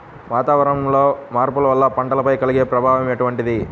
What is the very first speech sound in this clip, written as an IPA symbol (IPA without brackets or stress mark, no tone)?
ʋ